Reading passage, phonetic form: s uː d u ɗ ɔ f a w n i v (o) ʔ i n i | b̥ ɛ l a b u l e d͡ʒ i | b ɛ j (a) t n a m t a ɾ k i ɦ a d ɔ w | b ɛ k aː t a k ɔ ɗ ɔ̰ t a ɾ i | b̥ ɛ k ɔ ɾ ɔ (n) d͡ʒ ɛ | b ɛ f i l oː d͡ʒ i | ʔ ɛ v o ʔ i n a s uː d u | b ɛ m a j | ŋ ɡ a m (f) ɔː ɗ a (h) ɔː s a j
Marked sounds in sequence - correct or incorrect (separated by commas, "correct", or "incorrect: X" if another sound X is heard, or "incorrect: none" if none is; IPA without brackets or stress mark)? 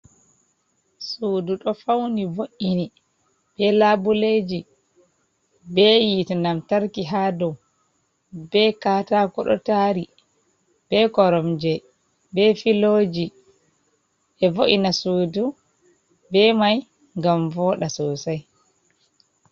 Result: correct, incorrect: i, incorrect: m, incorrect: v, incorrect: s